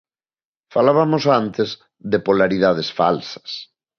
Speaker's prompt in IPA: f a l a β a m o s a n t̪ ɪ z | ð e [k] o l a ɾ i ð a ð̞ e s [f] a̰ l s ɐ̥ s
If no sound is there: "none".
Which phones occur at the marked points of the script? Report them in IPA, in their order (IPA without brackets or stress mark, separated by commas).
p, f